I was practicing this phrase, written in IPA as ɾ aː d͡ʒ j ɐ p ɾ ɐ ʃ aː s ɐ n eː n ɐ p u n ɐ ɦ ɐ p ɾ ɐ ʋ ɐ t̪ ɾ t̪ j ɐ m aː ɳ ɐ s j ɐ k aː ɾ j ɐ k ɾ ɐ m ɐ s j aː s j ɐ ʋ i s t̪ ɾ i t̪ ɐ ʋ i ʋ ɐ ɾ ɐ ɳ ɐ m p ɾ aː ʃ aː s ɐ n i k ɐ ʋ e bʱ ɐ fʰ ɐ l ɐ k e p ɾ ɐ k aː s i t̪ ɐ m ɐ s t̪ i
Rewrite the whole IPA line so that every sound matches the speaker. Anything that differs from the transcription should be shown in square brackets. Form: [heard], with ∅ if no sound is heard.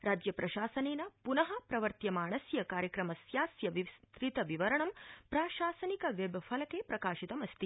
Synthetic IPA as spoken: ɾ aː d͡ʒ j ɐ p ɾ ɐ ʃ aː s ɐ n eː n ɐ p u n ɐ ɦ ɐ p ɾ ɐ ʋ ɐ [∅] ɾ t̪ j ɐ m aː ɳ ɐ s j ɐ k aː ɾ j ɐ k ɾ ɐ m ɐ s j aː s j ɐ ʋ i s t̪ ɾ i t̪ ɐ ʋ i ʋ ɐ ɾ ɐ ɳ ɐ m p ɾ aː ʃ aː s ɐ n i k ɐ ʋ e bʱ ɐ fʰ ɐ l ɐ k e p ɾ ɐ k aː [ʃ] i t̪ ɐ m ɐ s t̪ i